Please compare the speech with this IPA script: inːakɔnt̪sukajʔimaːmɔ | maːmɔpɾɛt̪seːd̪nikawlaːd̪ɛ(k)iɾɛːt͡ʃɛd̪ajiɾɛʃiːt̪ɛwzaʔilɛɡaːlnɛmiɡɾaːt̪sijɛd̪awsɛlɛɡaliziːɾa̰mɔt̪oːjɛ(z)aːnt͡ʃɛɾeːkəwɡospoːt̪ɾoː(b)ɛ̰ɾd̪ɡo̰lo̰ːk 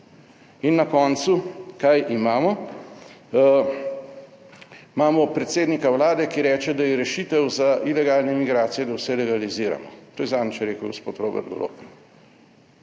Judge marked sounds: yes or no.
yes, yes, yes

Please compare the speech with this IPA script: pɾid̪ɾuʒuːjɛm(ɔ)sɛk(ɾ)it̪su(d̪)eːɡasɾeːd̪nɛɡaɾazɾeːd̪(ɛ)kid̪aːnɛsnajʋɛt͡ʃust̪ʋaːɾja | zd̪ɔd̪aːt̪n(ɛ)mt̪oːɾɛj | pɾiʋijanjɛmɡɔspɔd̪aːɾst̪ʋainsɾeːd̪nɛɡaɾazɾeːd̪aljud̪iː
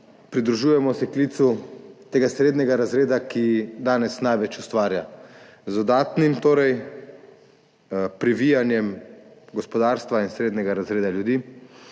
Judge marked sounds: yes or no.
yes, no, no, no, no

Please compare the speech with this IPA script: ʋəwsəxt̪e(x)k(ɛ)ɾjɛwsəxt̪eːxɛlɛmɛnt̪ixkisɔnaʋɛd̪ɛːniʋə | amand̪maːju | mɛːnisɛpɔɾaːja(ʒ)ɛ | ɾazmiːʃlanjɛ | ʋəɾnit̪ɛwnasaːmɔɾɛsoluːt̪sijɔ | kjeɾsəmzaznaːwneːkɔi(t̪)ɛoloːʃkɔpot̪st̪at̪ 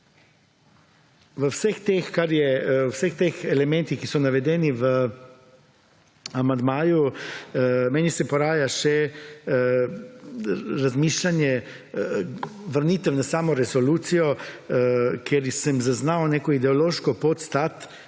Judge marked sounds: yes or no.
yes, no, no, no

